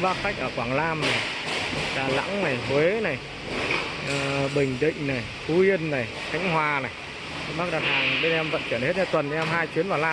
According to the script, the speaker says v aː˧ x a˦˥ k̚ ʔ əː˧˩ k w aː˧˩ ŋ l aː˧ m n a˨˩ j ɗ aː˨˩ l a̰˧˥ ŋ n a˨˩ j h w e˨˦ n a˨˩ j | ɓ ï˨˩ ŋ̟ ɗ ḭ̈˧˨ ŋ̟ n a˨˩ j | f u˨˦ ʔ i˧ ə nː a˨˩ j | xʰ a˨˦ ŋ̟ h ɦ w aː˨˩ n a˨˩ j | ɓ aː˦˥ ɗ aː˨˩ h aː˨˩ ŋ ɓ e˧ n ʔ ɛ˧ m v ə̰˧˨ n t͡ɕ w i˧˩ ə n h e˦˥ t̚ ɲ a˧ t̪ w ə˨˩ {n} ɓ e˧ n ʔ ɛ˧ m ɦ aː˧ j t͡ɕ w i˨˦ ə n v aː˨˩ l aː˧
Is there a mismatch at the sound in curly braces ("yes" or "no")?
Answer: no